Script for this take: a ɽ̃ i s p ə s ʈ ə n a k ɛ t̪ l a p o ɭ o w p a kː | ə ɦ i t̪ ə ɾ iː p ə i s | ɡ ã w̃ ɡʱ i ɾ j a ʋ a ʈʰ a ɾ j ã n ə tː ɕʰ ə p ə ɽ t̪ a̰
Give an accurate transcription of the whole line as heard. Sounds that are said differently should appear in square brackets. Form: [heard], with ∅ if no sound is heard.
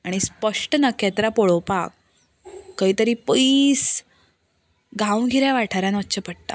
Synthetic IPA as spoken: a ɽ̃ i s p ə [ʂ] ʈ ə n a k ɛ t̪ [ɾ] a p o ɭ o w p a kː | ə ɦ i t̪ ə ɾ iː p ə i s | ɡ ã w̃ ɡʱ i ɾ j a ʋ a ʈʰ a ɾ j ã n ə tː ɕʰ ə p ə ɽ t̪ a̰